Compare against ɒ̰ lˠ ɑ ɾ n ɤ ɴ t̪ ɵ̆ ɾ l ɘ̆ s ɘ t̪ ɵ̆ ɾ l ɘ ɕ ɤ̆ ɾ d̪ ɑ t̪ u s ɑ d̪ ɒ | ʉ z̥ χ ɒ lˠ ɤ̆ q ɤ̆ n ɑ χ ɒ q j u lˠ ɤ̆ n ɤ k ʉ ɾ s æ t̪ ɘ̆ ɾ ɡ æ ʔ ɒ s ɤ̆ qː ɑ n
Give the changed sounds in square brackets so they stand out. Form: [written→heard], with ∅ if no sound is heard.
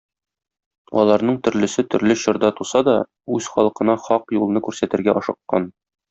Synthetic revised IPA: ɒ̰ lˠ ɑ ɾ n ɤ ɴ t̪ ɵ̆ ɾ l ɘ̆ s ɘ t̪ ɵ̆ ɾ l ɘ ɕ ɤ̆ ɾ d̪ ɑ t̪ u s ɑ d̪ ɒ | ʉ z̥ χ ɒ lˠ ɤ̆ q ɤ̆ n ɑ χ ɒ q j u lˠ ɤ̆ n ɤ k ʉ ɾ s æ t̪ ɘ̆ ɾ ɡ æ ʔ ɒ [s→ʃ] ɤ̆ qː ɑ n